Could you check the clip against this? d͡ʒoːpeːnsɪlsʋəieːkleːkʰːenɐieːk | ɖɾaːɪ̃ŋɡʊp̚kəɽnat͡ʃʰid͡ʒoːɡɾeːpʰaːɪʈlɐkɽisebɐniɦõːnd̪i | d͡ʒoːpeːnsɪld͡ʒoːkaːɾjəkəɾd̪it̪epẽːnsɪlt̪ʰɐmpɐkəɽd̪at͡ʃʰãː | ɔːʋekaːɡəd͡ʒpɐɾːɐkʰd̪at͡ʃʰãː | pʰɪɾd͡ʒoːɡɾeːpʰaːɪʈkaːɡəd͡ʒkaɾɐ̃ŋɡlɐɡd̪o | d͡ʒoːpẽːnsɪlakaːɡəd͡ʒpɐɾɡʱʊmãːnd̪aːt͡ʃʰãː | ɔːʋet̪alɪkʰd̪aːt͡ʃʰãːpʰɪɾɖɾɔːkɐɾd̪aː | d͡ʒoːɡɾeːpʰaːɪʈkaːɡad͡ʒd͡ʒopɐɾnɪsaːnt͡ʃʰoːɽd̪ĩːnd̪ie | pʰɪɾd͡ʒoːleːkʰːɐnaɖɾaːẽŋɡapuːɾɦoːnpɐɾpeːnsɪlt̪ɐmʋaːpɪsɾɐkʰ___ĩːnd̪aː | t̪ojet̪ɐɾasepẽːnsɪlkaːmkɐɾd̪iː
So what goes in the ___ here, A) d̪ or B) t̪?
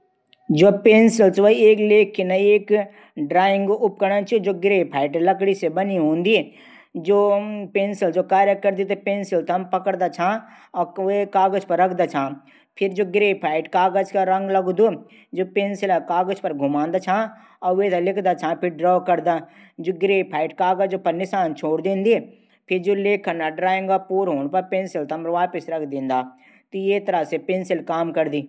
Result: A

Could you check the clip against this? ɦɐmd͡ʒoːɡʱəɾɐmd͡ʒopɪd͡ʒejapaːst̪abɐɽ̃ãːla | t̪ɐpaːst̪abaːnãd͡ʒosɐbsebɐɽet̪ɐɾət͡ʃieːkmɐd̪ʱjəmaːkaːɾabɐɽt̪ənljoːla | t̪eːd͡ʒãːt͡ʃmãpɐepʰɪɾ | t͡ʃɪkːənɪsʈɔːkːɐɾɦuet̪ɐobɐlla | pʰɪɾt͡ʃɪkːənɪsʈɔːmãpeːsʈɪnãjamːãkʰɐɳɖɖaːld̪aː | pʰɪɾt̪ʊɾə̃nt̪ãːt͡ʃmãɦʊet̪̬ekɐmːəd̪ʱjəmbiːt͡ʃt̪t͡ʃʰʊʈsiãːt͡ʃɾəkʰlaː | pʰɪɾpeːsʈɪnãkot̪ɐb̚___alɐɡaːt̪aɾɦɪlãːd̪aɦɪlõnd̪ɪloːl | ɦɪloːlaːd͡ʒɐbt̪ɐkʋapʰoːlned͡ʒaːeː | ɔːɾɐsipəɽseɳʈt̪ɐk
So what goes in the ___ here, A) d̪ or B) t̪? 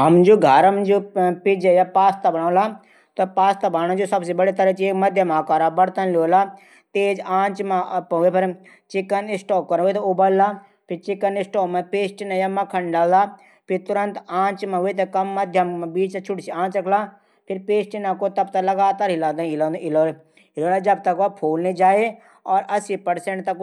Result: B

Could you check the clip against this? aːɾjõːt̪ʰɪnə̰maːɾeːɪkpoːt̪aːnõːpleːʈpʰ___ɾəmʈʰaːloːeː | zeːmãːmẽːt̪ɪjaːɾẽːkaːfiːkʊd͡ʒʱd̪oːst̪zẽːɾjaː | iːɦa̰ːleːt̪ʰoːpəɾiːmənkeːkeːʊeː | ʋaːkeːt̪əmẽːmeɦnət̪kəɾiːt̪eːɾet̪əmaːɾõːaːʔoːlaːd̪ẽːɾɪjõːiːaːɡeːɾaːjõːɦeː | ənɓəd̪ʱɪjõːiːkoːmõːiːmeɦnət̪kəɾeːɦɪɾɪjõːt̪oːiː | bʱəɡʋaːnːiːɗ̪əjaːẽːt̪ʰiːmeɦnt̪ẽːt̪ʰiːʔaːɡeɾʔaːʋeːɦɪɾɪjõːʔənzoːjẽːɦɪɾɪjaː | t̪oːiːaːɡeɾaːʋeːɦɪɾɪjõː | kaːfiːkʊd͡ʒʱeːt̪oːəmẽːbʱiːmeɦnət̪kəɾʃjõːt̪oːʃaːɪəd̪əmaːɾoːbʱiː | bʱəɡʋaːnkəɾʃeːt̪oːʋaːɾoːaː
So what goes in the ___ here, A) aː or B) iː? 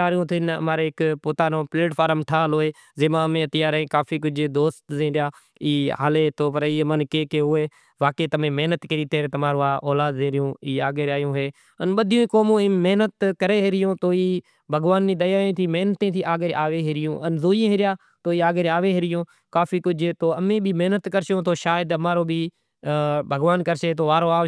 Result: A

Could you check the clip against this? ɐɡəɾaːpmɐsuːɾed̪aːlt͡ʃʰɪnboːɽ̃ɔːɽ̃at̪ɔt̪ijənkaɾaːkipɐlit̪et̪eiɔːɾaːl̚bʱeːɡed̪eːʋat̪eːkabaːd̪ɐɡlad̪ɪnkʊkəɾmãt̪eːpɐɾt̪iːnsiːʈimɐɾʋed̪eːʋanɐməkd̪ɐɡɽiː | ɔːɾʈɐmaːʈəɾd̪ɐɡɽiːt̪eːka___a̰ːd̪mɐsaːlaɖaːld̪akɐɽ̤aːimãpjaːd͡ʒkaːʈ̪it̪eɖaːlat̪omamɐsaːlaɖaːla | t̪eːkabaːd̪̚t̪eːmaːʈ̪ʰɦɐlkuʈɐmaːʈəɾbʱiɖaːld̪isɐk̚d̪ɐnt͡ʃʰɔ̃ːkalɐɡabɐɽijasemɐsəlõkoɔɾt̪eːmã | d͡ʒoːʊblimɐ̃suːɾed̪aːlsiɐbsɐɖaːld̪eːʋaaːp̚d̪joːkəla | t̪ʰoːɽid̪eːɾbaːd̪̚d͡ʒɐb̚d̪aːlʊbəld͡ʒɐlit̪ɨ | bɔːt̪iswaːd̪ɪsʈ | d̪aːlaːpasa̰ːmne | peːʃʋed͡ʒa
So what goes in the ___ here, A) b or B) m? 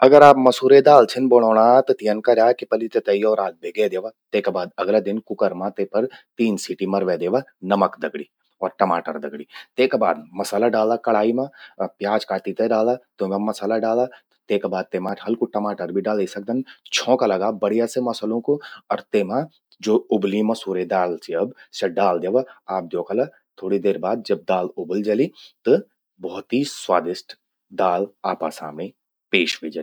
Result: A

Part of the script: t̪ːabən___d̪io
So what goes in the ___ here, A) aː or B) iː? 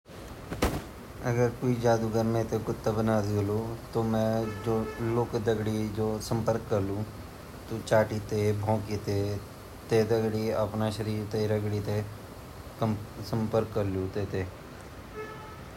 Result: A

